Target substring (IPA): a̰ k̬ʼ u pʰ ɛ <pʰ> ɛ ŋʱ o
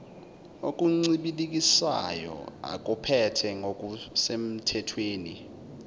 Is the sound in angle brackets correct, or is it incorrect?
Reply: incorrect